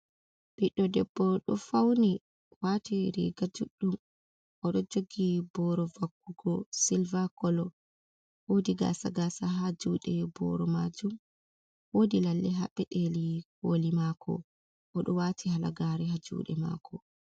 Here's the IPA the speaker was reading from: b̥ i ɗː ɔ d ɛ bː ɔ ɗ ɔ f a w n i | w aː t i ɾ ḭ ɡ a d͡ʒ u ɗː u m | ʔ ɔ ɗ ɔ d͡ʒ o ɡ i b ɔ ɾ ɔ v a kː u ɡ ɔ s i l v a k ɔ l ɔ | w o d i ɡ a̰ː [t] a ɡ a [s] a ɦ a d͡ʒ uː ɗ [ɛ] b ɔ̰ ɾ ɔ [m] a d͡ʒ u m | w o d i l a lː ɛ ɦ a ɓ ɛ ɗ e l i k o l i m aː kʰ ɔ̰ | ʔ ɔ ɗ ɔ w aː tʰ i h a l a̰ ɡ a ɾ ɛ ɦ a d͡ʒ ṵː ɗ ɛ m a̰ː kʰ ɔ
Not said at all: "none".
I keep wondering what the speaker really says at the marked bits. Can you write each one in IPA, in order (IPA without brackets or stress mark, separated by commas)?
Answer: s, s, ɛ, m